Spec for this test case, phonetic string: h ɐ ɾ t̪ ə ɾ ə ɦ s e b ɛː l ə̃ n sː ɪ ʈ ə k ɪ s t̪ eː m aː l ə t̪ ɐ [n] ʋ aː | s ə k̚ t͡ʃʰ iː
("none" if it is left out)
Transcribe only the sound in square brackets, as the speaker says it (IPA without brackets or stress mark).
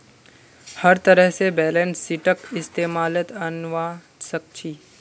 n